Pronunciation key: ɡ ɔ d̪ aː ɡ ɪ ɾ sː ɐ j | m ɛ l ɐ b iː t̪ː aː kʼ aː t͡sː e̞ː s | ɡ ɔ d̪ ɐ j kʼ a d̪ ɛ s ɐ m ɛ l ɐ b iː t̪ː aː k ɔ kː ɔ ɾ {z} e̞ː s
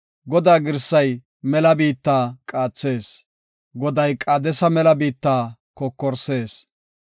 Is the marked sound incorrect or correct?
incorrect